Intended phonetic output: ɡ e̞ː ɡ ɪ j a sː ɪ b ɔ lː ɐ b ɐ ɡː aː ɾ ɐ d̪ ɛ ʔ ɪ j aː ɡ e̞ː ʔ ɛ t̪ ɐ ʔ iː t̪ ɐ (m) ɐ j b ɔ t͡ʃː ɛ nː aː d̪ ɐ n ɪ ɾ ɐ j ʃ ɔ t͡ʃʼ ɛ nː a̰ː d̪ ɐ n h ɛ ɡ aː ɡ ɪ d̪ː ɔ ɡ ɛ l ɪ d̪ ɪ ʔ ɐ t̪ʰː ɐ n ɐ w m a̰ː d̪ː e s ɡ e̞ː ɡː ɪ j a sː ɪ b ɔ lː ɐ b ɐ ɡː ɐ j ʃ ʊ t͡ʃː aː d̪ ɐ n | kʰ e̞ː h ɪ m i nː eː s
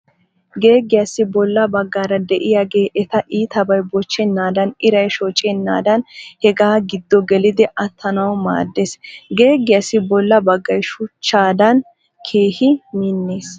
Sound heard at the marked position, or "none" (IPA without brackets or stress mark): b